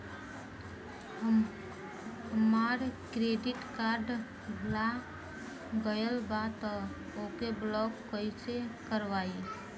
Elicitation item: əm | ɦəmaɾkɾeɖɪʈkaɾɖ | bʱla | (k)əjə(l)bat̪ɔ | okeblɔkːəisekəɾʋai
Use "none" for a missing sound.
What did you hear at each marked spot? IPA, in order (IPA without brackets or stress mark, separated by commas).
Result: ɡ, l